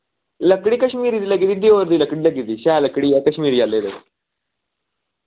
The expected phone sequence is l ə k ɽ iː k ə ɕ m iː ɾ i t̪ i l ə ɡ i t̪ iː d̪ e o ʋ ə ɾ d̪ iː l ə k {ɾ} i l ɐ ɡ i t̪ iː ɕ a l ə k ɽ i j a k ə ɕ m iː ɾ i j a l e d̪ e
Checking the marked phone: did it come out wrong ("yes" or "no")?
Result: yes